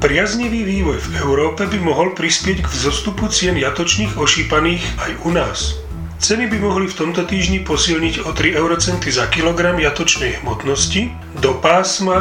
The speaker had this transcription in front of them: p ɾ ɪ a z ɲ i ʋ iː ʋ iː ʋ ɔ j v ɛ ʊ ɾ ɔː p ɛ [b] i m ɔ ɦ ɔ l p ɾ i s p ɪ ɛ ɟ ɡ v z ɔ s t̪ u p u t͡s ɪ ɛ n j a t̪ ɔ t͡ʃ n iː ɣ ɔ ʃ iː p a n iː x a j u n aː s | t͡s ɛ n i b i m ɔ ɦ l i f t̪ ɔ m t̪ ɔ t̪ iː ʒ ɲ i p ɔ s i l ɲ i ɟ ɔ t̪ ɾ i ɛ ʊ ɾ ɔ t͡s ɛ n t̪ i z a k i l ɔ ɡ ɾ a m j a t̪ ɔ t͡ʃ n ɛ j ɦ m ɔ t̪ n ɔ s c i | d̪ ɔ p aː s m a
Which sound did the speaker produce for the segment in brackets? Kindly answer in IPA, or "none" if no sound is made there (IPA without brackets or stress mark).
b